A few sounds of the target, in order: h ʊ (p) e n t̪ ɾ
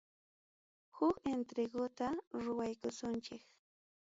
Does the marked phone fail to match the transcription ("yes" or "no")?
yes